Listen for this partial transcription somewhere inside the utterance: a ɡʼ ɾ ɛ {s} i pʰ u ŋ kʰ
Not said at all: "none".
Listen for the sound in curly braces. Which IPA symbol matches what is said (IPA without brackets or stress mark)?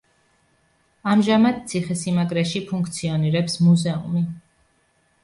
ʃ